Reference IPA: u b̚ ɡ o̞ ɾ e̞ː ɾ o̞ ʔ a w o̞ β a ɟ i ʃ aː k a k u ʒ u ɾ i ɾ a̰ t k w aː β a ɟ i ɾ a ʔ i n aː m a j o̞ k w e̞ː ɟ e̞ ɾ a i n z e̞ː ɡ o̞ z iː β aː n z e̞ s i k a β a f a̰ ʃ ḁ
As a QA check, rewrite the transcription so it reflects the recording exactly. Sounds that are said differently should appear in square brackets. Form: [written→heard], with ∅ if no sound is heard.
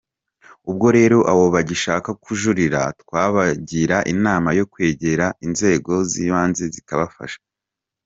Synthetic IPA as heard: u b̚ ɡ o̞ ɾ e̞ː ɾ o̞ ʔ a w o̞ β a ɟ i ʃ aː k a k u ʒ u ɾ i ɾ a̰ t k w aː β a ɟ i ɾ a ʔ i n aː m a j o̞ k w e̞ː ɟ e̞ ɾ a i n z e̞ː ɡ o̞ z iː β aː n z e̞ [s→z] i k a β a f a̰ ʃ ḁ

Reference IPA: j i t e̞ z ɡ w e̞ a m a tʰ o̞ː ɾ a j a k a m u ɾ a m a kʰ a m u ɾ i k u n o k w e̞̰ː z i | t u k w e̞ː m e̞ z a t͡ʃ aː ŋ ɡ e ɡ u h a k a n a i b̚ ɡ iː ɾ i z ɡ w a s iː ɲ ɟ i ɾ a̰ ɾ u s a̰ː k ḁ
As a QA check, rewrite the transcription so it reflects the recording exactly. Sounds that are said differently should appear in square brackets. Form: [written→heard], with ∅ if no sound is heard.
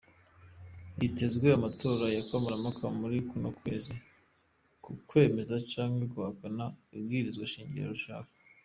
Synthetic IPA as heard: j i t e̞ z ɡ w e̞ a m a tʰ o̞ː ɾ a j a k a m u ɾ a m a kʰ a m u ɾ i k u n o k w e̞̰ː z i | [t→k] u k w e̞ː m e̞ z a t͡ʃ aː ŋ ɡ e ɡ u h a k a n a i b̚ ɡ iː ɾ i z ɡ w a [s→ʃ] iː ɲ ɟ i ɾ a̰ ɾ u [s→ʃ] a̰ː k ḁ

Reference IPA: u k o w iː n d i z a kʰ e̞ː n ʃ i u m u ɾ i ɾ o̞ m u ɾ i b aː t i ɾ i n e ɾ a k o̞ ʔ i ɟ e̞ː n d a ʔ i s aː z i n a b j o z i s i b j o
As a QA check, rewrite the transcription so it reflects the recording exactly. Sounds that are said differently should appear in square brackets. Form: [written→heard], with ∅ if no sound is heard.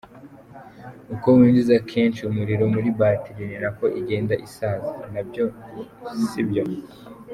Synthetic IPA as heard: u k o w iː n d i z a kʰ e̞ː n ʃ i u m u ɾ i ɾ o̞ m u ɾ i b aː t i ɾ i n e ɾ a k o̞ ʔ i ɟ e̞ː n d a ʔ i s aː z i n a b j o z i s i b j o

